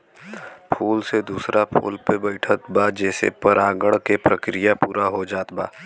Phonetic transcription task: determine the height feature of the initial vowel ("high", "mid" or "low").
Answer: high